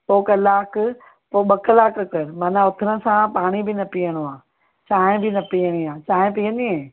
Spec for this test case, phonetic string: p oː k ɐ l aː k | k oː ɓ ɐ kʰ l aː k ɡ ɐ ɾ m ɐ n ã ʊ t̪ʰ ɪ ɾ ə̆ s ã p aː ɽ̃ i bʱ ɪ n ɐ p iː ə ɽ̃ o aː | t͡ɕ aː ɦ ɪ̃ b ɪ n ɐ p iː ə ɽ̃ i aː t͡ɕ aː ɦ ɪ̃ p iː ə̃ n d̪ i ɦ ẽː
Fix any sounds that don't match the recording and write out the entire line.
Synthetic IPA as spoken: p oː k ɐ l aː k | p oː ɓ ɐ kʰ l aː k k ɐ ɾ m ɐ n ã ʊ t̪ʰ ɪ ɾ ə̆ s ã p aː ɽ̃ i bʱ ɪ n ɐ p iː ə ɽ̃ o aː | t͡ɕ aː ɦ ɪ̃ b ɪ n ɐ p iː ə ɽ̃ i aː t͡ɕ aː ɦ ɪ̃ p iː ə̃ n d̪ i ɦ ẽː